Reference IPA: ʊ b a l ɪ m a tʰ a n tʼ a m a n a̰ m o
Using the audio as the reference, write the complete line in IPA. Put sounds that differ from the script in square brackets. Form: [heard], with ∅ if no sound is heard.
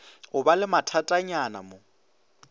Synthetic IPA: ʊ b a l ɪ m a tʰ a [∅] tʼ a [ɲ] a n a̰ m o